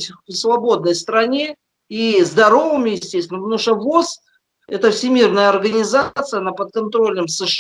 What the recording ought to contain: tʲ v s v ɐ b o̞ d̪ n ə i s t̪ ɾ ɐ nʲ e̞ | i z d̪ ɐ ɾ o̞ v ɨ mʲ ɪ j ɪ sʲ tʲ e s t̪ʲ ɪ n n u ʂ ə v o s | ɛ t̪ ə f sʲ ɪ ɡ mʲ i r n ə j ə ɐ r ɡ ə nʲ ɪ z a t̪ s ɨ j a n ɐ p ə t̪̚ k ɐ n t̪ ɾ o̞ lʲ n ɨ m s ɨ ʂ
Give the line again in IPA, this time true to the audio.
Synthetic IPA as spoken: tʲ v s v ɐ b o̞ d̪ n ə j s t̪ ɾ ɐ nʲ e̞ | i z d̪ ɐ ɾ o̞ v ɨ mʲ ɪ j ɪ sʲ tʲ e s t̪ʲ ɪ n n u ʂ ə v o s | ɛ t̪ ə f sʲ ɪ mʲ i r n ə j ə ɐ r ɡ ə nʲ ɪ z a t̪ s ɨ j ə n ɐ p ə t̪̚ k ɐ n t̪ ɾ o̞ lʲ n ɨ m s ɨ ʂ